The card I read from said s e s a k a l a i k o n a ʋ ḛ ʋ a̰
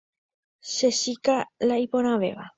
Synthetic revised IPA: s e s i k a l a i p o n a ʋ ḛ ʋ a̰